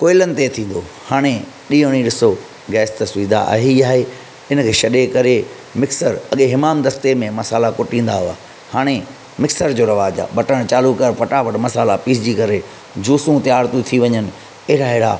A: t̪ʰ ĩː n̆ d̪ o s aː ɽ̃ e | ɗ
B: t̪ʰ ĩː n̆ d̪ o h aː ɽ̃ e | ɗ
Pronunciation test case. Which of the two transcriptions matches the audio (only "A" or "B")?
B